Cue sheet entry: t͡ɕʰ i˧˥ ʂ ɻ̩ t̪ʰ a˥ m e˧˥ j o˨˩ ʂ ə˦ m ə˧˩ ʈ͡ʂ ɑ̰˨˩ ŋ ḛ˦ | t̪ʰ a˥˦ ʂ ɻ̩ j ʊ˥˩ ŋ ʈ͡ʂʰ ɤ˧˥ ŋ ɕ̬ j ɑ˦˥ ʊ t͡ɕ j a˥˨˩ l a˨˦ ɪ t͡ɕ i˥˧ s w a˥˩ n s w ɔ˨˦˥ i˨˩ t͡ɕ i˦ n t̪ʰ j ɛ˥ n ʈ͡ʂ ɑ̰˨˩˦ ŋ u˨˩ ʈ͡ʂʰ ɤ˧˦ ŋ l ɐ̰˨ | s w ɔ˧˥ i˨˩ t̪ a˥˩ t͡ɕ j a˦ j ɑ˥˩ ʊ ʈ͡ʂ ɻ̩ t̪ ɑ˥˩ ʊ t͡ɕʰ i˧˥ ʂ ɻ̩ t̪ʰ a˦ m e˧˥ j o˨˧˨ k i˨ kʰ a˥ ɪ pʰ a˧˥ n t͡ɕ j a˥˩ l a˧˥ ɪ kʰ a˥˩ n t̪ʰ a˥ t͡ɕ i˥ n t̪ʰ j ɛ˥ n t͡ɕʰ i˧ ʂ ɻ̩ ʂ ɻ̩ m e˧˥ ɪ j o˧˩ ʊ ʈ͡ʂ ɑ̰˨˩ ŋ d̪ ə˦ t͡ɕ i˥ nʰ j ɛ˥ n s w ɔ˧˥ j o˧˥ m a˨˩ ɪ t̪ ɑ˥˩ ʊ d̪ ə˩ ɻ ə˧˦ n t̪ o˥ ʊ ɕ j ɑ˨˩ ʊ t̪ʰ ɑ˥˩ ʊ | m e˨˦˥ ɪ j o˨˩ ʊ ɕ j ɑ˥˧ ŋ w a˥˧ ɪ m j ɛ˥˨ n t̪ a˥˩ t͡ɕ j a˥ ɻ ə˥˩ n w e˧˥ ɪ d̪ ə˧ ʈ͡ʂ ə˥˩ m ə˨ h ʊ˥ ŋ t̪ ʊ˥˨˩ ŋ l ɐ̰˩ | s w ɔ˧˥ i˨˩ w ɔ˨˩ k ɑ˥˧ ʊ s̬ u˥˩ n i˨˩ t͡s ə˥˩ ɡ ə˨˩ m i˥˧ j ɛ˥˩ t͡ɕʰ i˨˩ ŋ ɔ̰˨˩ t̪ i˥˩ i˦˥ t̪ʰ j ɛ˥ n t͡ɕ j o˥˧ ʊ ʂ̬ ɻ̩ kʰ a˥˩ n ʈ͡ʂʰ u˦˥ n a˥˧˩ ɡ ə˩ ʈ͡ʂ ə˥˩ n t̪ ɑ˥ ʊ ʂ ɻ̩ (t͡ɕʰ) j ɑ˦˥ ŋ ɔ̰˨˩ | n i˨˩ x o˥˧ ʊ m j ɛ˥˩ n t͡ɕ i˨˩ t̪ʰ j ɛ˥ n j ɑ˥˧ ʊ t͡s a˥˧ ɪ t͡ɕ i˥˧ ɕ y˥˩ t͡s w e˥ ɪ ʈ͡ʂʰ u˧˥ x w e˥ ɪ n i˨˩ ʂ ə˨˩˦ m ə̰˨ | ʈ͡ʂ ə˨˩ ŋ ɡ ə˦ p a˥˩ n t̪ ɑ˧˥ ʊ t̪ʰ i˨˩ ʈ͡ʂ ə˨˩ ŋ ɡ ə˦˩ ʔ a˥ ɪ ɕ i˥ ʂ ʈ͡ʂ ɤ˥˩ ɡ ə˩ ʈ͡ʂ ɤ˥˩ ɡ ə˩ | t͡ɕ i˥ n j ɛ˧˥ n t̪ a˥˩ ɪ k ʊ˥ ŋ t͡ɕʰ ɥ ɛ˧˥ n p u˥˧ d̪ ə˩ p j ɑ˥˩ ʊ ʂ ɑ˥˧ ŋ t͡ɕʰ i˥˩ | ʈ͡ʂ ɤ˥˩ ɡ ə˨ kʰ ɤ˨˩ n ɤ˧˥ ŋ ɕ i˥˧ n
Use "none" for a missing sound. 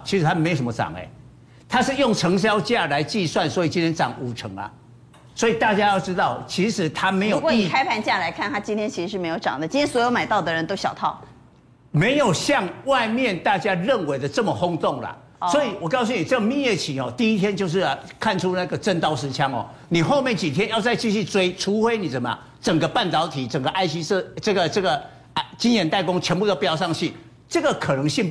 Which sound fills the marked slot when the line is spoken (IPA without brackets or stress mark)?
t͡ɕʰ